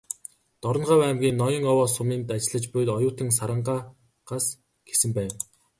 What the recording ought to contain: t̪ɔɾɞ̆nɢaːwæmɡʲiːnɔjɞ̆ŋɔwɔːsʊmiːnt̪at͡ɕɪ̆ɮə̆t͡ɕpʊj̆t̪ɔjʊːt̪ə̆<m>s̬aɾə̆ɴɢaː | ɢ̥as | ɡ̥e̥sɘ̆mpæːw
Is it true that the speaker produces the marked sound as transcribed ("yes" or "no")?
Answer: no